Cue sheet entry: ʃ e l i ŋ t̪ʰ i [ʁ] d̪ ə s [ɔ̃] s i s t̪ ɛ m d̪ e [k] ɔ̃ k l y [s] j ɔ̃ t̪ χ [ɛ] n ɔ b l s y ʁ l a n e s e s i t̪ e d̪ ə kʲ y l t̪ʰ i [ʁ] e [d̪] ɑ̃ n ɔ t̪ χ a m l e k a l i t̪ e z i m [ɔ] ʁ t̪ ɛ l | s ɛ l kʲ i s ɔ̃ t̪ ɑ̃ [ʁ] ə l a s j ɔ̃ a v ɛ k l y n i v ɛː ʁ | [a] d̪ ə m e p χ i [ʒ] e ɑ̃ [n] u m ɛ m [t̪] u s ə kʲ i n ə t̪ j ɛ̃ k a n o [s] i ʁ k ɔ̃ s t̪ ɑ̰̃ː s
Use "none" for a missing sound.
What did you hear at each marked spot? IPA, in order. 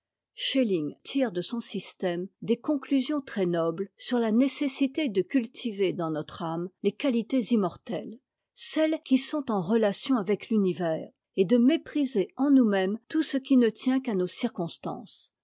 ʁ, ɔ̃, k, z, ɛ, v, d̪, ɔ, ʁ, e, z, n, t̪, s

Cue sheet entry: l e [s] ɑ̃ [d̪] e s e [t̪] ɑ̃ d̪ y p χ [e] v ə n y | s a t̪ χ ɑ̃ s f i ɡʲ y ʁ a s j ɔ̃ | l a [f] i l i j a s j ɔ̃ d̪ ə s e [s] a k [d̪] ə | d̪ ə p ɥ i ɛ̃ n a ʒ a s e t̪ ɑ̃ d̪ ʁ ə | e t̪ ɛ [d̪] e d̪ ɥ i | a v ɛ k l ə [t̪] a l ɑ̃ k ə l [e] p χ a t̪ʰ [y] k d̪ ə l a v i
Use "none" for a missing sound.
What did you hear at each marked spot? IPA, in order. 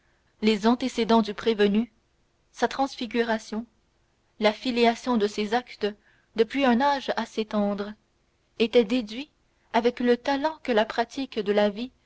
z, t̪, d̪, e, f, z, t̪, d̪, t̪, a, i

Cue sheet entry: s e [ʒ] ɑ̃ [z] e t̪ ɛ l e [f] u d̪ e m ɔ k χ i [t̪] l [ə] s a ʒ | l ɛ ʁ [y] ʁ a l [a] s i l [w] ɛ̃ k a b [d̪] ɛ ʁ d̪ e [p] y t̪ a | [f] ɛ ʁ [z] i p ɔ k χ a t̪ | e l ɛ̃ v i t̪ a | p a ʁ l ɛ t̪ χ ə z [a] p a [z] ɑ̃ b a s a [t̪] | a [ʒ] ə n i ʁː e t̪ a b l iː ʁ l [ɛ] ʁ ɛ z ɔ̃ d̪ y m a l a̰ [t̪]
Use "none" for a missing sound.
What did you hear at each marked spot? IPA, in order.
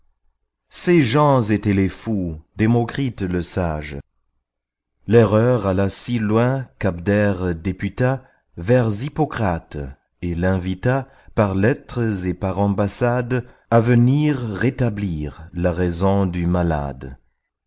ʒ, z, f, t̪, ə, œ, a, w, d̪, p, v, z, e, ʁ, d̪, v, a, d̪

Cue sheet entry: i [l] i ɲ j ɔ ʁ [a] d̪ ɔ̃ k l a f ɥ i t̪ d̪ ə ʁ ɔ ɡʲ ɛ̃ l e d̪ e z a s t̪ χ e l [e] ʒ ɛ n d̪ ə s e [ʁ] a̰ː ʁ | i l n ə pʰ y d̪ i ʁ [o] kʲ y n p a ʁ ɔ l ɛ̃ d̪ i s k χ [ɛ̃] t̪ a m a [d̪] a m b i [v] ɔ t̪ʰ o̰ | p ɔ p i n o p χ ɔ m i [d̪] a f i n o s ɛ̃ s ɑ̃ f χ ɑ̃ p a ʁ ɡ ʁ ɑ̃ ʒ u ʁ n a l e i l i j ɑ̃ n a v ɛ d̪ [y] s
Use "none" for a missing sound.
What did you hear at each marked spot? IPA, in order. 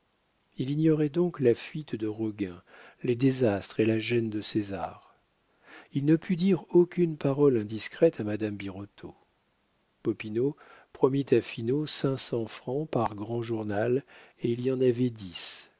l, ɛ, a, z, o, ɛ, d̪, ʁ, t̪, i

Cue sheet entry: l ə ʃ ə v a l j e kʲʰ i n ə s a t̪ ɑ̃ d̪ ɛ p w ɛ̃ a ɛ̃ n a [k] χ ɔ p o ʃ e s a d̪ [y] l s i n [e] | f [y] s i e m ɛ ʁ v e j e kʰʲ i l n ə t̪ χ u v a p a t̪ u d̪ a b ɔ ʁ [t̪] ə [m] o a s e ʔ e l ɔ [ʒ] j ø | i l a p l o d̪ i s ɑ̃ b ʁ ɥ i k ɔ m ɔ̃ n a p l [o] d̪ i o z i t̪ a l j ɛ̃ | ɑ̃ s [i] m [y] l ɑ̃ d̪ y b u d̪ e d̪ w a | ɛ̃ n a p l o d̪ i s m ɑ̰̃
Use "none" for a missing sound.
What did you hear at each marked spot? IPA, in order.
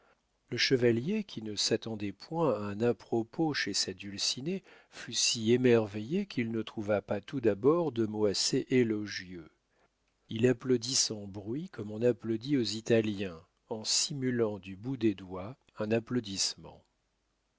p, y, e, y, d̪, m, ʒ, o, i, y

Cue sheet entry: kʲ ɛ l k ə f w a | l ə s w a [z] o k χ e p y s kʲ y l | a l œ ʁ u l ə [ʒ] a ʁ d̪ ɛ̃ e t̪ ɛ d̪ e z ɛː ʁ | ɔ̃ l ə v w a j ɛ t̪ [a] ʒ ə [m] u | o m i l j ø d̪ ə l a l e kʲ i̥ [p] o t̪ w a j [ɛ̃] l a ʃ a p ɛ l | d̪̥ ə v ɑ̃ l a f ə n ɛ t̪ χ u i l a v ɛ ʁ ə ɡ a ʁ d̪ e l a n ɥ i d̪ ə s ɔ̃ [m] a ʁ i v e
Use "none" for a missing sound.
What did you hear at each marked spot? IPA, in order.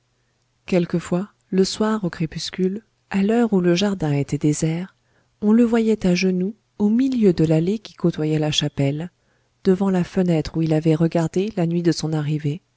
ʁ, ʒ, a, n, k, ɛ, n

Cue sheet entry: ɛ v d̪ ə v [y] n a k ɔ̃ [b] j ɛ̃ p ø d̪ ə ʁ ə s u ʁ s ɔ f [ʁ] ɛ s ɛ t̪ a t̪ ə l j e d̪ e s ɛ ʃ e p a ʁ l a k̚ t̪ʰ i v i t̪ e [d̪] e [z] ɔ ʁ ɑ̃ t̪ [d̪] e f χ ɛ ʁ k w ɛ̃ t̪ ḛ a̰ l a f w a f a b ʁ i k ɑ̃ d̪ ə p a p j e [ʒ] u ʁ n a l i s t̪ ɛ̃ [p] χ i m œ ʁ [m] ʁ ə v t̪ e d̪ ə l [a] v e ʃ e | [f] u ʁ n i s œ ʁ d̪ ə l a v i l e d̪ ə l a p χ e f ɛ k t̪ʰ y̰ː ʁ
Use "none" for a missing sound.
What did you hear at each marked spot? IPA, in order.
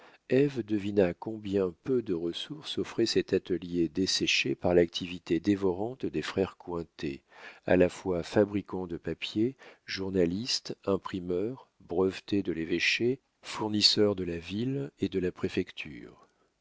i, b, χ, d̪, v, d̪, ʒ, p, b, e, f

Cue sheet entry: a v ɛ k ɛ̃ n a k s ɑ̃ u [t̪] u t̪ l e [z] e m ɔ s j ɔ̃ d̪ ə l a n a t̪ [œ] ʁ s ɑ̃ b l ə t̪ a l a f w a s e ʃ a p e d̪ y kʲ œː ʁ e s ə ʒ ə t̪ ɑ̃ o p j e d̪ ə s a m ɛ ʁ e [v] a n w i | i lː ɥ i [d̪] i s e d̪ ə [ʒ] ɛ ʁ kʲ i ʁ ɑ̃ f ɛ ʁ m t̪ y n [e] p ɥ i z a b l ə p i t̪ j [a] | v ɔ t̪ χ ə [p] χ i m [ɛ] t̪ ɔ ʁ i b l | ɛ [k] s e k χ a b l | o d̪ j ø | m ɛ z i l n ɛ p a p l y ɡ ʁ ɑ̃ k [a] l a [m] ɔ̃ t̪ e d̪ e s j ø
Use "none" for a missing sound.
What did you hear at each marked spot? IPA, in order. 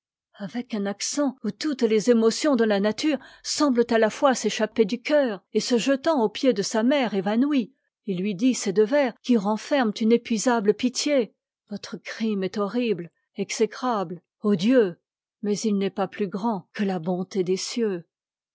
t̪, z, y, v, d̪, v, e, e, k, ɛ, k, ə, b

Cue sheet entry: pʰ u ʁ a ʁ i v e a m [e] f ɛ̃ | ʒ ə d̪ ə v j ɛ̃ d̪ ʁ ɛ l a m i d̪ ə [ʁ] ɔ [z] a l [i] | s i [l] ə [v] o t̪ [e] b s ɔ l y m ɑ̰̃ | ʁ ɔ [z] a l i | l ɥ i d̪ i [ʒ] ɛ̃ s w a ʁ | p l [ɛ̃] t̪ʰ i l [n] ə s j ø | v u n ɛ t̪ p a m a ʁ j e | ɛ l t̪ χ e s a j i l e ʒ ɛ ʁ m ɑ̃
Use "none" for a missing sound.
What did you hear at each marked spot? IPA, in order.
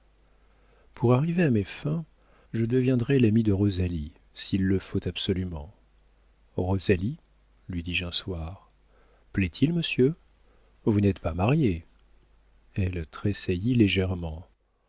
e, ʁ, z, i, lː, f, a, z, ʒ, ɛ, m

